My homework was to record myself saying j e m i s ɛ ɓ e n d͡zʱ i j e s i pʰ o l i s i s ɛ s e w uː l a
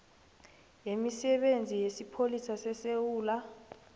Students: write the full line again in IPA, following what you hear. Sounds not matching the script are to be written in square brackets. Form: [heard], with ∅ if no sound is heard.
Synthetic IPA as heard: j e m i s ɛ ɓ e n d͡zʱ i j e s i pʰ o l i s [a] s ɛ s e w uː l a